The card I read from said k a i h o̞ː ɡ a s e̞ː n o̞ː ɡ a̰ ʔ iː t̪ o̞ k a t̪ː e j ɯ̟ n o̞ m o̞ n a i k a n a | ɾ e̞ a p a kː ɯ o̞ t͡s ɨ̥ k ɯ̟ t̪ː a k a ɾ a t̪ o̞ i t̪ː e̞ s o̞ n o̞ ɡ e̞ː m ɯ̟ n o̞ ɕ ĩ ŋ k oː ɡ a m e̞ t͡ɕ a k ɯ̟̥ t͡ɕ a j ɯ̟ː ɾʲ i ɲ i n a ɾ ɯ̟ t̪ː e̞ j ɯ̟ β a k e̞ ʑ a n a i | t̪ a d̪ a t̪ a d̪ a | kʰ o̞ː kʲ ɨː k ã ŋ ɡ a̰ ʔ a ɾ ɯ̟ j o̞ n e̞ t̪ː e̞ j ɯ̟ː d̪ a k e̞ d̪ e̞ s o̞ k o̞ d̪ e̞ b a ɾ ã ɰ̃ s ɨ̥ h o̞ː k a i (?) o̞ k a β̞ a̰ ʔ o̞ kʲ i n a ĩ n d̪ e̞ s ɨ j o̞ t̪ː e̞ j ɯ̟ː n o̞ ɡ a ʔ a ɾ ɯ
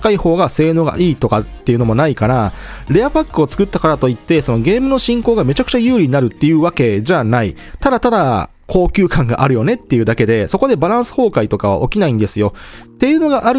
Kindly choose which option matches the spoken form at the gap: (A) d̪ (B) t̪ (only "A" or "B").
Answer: B